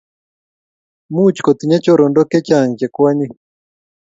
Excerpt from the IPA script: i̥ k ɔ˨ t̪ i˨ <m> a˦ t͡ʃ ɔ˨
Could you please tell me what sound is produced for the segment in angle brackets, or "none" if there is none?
ɲ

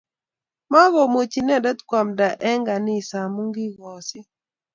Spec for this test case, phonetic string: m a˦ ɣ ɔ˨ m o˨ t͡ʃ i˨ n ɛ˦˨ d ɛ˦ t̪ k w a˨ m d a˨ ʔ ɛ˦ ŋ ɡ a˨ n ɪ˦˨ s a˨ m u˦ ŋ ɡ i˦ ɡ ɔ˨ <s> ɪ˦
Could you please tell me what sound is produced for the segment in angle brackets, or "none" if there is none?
s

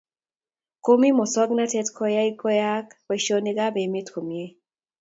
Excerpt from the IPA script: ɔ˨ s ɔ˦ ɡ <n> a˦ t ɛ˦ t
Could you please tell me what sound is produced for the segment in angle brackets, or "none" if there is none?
n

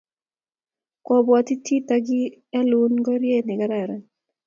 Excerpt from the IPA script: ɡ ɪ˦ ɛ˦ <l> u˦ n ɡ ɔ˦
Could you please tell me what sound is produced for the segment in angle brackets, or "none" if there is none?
l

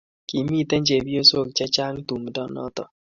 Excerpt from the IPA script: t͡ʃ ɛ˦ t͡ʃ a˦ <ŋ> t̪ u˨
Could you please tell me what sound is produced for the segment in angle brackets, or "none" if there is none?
ŋ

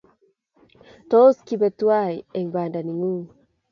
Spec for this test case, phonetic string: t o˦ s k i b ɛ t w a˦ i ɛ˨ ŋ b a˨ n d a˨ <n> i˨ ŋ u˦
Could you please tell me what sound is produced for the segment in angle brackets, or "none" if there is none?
n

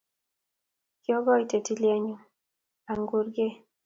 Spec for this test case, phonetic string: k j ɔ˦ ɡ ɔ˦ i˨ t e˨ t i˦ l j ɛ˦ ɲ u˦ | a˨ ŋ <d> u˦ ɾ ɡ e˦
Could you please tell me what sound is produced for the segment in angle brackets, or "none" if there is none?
ɡ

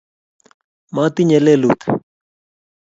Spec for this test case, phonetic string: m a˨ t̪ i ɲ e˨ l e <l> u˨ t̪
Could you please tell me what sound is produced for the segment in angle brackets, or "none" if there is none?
l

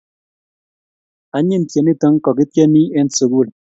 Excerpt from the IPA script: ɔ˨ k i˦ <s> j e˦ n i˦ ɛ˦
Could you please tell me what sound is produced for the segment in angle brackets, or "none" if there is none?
t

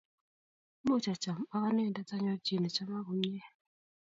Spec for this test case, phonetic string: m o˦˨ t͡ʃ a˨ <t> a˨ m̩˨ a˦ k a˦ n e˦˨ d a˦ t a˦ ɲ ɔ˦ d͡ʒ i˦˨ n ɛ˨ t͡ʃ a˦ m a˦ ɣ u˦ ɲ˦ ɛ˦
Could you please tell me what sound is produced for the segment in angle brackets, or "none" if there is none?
t͡ʃ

